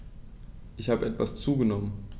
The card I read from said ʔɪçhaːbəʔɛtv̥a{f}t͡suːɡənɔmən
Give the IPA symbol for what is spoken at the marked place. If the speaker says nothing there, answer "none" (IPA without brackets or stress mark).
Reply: s